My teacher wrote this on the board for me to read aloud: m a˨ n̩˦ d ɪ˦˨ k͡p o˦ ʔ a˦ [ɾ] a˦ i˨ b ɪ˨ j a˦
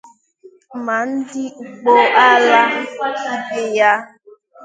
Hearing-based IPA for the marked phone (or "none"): l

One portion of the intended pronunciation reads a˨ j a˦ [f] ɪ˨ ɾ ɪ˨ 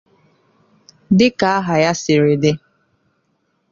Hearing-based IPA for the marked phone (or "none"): s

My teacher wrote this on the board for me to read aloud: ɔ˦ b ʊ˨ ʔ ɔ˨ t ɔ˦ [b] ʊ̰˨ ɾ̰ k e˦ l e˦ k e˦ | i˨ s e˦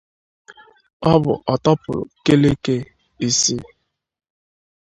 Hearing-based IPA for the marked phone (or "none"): p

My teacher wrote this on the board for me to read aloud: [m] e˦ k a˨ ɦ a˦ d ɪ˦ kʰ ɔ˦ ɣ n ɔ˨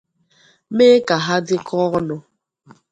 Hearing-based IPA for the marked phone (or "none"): m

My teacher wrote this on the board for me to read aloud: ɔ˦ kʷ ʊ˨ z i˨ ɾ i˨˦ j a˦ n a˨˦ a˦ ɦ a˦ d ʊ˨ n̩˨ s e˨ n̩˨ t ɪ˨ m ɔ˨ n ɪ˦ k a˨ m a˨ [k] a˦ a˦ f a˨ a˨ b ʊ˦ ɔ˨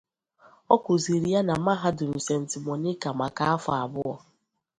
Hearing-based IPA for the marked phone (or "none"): k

